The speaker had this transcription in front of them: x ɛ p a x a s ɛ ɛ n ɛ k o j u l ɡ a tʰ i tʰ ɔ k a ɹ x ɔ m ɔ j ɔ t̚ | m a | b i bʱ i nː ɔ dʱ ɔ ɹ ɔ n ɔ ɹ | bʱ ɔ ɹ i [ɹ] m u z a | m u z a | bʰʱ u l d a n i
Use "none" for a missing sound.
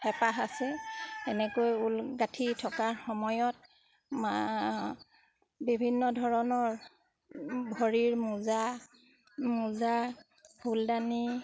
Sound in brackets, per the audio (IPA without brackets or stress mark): ɹ